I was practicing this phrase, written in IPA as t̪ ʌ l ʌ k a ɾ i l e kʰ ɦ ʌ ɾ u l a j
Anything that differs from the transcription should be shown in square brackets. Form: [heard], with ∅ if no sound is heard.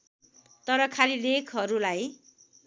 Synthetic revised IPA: t̪ ʌ [ɾ] ʌ [kʰ] a [l] i l e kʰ ɦ ʌ ɾ u l a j